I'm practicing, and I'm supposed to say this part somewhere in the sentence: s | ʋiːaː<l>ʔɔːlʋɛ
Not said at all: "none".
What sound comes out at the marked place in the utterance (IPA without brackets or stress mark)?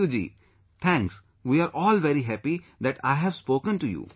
ɾ